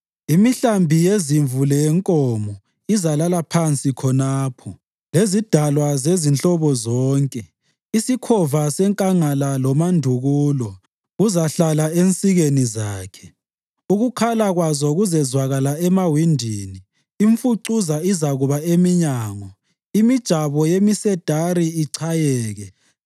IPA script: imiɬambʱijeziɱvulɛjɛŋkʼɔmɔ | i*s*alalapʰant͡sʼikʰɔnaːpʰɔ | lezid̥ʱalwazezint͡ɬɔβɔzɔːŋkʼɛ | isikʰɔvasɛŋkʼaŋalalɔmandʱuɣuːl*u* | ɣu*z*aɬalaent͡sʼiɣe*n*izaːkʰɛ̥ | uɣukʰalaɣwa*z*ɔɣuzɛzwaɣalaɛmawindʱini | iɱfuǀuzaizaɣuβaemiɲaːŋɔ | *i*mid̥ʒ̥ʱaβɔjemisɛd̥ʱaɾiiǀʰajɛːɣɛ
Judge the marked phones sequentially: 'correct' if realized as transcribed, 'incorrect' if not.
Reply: incorrect: z, incorrect: ɔ, correct, correct, correct, correct

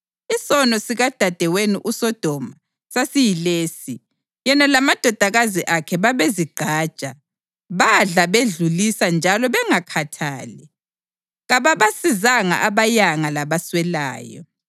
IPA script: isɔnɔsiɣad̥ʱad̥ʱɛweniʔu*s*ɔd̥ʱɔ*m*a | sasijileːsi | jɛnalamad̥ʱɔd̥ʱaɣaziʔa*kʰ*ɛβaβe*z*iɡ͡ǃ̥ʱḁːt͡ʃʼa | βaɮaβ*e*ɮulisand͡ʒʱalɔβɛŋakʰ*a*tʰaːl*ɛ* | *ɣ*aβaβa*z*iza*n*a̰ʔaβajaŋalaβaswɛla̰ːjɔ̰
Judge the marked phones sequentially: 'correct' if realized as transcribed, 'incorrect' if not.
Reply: correct, correct, correct, correct, correct, correct, correct, correct, incorrect: s, incorrect: ŋ

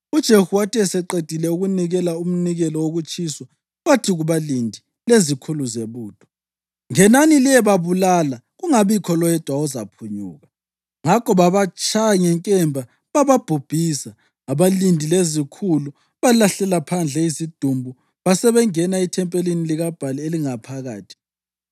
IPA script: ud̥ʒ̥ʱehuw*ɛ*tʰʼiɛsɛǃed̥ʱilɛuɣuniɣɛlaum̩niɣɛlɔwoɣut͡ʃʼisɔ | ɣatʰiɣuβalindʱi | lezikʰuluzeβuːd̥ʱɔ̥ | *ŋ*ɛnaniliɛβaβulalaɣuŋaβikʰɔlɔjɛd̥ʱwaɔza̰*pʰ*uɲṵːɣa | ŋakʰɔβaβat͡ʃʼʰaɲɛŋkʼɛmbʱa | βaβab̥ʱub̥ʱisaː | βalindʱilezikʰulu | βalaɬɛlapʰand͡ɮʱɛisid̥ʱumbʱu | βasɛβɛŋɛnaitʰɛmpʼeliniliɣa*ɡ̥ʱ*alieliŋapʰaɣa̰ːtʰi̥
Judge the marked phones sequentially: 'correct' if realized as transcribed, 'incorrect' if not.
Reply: incorrect: a, correct, correct, incorrect: b̥ʱ

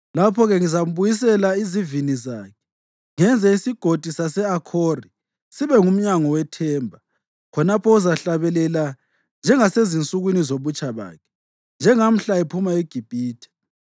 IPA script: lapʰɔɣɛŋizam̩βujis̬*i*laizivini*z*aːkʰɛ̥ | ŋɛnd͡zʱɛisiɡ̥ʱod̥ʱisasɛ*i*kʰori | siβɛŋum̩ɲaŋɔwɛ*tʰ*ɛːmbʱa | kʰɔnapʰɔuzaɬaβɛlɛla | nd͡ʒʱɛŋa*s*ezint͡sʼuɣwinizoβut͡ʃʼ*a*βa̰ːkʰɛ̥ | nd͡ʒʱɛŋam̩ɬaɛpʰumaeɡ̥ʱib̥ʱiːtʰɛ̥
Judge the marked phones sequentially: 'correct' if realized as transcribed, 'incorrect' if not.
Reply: incorrect: ɛ, correct, incorrect: a, correct, correct, correct

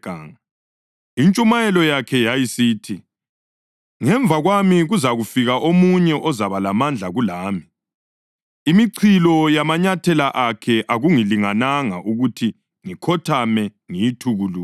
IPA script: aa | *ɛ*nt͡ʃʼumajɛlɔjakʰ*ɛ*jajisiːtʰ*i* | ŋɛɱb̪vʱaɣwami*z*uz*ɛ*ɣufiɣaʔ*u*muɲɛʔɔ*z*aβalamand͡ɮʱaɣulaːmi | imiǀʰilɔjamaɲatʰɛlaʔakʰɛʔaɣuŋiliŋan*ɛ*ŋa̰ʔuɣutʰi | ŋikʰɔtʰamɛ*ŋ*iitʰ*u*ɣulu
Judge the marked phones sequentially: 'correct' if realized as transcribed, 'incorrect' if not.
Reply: incorrect: i, correct, correct, incorrect: ɣ, incorrect: a, incorrect: o, correct, incorrect: a, correct, correct

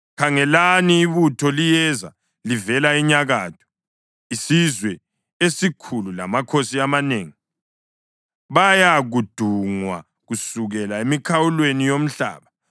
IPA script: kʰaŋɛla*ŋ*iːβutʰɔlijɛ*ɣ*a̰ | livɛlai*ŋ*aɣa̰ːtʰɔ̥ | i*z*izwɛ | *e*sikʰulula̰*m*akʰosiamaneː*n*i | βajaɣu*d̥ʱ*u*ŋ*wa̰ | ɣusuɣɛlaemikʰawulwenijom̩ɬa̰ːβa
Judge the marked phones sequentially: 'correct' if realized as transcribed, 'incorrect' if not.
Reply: incorrect: n, incorrect: z, incorrect: ɲ, incorrect: s, correct, correct, incorrect: ŋ, correct, correct

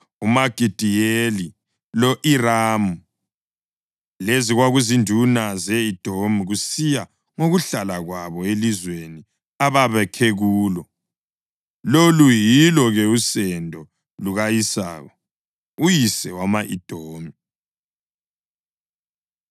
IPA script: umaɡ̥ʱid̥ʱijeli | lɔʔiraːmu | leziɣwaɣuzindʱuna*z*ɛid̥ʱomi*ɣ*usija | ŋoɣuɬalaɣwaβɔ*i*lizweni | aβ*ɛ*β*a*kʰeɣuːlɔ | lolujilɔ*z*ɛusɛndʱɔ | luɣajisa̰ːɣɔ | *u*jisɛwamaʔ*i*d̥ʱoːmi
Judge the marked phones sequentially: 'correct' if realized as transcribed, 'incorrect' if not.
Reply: correct, correct, incorrect: e, incorrect: a, incorrect: ɛ, incorrect: ɣ, correct, correct

